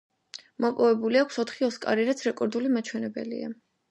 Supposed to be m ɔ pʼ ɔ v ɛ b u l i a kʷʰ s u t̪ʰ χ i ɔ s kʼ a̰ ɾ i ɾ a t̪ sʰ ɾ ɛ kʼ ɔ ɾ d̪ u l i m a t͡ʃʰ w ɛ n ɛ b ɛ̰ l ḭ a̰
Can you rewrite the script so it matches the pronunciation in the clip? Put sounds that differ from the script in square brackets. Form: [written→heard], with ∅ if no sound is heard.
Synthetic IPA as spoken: m ɔ pʼ ɔ v ɛ b u l i a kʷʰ s [u→ɔ] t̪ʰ χ i ɔ s kʼ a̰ ɾ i ɾ a t̪ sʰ ɾ ɛ kʼ ɔ ɾ d̪ u l i m a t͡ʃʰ w ɛ n ɛ b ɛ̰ l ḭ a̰